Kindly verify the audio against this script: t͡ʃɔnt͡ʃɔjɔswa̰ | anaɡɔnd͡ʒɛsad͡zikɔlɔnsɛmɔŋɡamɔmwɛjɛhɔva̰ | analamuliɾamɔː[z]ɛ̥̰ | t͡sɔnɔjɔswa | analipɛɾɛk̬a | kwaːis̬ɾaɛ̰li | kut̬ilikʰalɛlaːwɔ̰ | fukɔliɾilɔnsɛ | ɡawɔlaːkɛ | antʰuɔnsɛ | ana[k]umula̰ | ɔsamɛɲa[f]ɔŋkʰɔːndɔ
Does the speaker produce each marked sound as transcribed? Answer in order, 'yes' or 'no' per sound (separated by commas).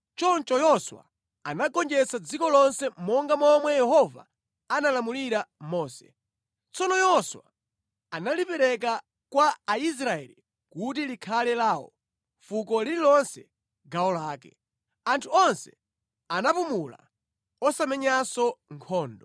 no, no, no